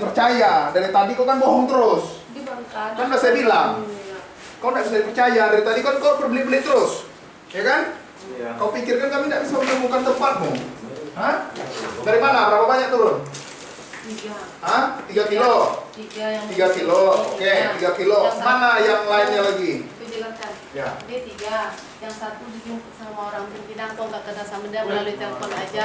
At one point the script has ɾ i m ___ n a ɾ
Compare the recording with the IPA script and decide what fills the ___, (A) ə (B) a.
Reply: B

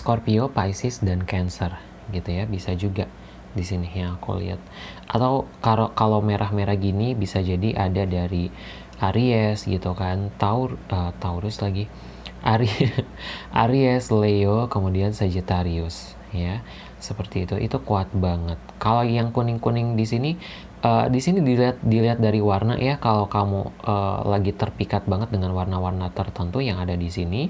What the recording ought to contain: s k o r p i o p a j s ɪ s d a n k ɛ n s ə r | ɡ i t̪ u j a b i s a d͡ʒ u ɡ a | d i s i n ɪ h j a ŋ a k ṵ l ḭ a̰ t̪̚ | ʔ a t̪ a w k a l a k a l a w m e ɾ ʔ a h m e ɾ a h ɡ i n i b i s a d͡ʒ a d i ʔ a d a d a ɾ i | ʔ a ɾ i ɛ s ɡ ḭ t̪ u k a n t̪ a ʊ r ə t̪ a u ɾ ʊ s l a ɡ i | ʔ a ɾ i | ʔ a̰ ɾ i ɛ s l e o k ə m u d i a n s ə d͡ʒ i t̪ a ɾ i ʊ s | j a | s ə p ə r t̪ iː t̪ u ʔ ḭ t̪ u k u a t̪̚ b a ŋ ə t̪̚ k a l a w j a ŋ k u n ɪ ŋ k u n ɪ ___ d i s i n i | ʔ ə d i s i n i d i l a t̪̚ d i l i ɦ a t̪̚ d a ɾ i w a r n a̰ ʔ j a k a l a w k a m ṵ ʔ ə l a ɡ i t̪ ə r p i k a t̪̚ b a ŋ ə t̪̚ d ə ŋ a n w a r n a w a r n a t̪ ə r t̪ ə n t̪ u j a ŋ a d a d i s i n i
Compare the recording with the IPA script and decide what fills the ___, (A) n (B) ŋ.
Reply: B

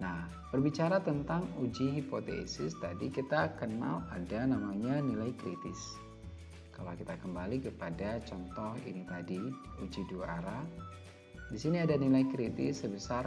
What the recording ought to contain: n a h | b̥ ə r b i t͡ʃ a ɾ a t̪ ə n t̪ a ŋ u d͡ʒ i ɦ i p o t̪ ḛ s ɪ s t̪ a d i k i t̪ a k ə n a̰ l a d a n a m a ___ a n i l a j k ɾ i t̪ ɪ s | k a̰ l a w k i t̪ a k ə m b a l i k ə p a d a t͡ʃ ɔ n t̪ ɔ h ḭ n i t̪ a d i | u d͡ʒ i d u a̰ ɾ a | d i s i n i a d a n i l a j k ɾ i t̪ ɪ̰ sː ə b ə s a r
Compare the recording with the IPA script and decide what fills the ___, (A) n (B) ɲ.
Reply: B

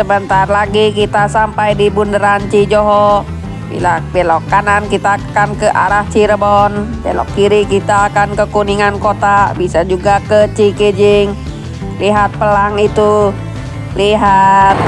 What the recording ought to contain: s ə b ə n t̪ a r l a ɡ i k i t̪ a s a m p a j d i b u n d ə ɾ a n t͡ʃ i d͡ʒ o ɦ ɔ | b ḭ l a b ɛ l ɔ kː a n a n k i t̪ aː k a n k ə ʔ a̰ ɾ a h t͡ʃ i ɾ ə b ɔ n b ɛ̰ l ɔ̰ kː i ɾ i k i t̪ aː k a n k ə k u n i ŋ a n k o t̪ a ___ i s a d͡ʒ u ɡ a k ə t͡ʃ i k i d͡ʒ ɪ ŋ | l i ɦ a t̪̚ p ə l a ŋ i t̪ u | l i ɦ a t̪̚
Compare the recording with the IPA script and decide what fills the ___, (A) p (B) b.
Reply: B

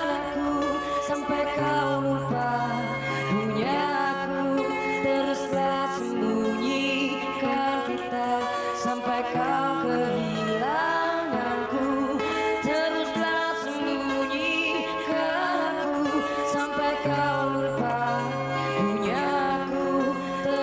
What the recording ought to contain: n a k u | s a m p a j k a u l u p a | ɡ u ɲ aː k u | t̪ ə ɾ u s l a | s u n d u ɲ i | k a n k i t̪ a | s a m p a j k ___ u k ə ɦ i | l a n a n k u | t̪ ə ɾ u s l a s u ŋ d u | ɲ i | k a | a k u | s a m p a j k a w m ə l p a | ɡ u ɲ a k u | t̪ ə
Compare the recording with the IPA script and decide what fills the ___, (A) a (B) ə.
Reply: A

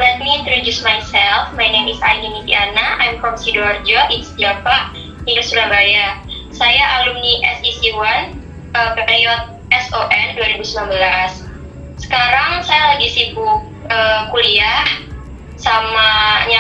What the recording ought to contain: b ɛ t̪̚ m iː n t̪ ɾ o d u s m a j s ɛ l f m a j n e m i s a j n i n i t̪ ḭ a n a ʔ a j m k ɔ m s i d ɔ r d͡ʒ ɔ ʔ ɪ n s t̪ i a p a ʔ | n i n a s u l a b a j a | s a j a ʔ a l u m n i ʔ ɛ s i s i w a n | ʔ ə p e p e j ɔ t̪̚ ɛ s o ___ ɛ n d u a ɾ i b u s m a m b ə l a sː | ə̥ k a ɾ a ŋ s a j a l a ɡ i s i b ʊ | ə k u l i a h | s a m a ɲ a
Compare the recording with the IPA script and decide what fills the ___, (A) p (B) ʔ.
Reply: B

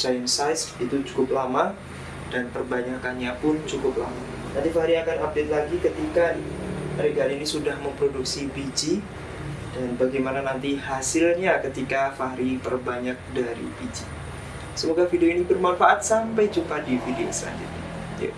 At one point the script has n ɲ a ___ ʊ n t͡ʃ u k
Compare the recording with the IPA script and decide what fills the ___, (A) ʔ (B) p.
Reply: B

